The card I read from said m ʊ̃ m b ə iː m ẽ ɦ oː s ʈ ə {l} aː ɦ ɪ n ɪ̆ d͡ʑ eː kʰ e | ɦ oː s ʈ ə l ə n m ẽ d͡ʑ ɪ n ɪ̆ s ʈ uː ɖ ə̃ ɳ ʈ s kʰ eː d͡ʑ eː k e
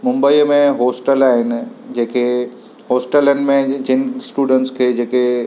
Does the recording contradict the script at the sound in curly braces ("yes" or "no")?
no